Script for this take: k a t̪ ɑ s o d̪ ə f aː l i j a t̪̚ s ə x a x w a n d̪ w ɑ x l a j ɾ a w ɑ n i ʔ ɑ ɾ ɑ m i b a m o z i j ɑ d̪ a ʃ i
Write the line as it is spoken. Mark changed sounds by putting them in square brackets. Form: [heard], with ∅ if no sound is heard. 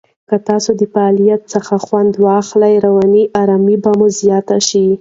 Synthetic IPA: k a t̪ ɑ s o d̪ ə f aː l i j a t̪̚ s ə x a x w a n d̪ w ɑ x l a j ɾ a w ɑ n i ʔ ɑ ɾ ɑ m i b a m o z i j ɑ [t̪] a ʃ i